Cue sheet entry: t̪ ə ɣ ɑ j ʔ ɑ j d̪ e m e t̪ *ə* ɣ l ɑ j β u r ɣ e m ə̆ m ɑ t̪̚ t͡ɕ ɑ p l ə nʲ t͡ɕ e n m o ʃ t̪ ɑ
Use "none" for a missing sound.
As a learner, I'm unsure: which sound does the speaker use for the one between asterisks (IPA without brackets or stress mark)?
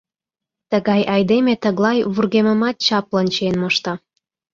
ə